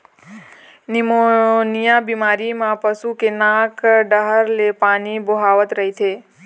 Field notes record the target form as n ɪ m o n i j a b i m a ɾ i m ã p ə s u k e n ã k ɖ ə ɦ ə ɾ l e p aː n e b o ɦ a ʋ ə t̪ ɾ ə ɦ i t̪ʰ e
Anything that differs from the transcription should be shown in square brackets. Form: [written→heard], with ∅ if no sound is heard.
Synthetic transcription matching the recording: n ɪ m o n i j a b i m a ɾ i m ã p ə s u k e n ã k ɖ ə ɦ ə ɾ l e p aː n [e→i] b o ɦ a ʋ ə t̪ ɾ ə ɦ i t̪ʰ e